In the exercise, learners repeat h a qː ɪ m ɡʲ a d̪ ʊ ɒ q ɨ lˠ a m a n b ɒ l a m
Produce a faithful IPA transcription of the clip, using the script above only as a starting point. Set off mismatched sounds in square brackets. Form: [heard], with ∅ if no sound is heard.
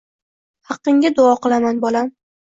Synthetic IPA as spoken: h [ɑ] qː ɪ [ŋ] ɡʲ a d̪ ʊ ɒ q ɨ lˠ a m a n b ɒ l a m